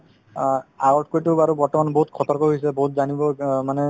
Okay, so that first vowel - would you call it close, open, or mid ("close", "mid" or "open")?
open